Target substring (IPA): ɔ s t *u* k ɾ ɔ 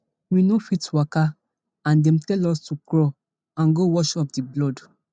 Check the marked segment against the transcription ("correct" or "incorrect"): correct